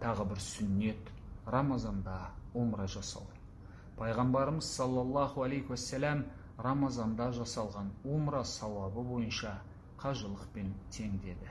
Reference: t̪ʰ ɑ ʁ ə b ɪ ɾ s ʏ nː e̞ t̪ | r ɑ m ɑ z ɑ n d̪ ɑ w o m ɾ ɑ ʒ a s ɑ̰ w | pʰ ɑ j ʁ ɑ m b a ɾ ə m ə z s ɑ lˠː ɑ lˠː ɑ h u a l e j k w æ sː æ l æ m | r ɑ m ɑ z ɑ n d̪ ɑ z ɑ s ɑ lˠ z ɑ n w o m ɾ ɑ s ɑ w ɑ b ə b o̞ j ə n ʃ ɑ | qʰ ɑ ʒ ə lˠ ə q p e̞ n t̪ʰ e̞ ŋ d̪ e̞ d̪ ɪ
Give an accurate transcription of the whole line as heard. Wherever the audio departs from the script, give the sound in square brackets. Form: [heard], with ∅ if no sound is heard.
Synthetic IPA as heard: t̪ʰ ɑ ʁ ə b ɪ ɾ s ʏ nː e̞ t̪ | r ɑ m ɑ z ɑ n d̪ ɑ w o m ɾ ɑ ʒ [ɑ] s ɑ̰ w | pʰ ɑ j ʁ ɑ m b [ɑ] ɾ ə m ə z s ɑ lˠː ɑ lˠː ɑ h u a l e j k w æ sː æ l æ m | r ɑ m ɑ z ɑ n d̪ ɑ [ʒ] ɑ s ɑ lˠ [ʁ] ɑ n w o m ɾ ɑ s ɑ w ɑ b ə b o̞ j ə n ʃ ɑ | qʰ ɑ ʒ ə lˠ ə q p e̞ n t̪ʰ e̞ ŋ d̪ e̞ d̪ ɪ